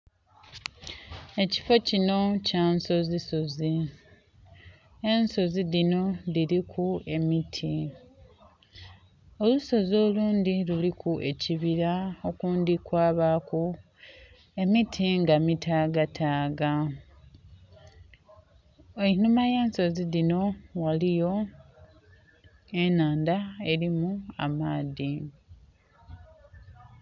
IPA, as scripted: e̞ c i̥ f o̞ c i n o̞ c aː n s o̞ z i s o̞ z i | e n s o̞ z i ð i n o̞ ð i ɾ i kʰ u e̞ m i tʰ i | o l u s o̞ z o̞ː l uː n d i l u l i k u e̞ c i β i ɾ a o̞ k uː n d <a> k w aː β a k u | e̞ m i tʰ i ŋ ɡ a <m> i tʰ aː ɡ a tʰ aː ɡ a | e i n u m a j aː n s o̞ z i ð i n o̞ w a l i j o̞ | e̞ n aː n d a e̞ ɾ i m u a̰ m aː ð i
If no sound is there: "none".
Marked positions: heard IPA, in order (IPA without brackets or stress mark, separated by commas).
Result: i, m